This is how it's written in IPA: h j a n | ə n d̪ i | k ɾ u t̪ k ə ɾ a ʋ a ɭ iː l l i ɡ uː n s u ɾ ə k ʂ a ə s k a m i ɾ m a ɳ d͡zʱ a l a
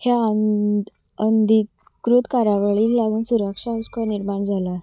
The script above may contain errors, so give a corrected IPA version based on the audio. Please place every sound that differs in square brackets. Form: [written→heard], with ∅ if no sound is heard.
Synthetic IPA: h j a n | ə n d̪ i | k ɾ u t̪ k [ə→a] ɾ a ʋ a ɭ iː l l [i→a] ɡ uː n s u ɾ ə k ʂ a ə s k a [m→n] i ɾ m a ɳ d͡zʱ a l a

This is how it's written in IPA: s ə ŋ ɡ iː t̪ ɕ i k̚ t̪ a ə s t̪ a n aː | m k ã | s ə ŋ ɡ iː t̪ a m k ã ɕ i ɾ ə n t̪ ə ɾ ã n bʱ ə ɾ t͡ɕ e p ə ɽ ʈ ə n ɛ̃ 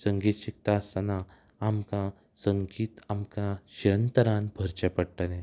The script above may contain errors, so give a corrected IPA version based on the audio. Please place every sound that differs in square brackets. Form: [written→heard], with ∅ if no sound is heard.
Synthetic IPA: s ə ŋ ɡ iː t̪ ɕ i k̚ t̪ a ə s t̪ a n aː | m k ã | s ə ŋ ɡ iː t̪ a m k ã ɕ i ɾ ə n t̪ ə ɾ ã n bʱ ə ɾ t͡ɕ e p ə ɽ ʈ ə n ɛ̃

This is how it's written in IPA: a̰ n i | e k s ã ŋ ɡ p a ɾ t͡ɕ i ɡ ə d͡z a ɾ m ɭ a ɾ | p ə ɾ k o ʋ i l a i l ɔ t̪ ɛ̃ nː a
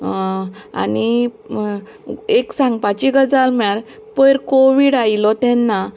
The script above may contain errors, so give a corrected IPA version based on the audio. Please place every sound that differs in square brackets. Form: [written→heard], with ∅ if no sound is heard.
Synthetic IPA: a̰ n i | e k s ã ŋ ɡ p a [ɾ→∅] t͡ɕ i ɡ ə d͡z a [ɾ→l] m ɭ a ɾ | p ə ɾ k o ʋ i [l→ɽ] a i l ɔ t̪ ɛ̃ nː a

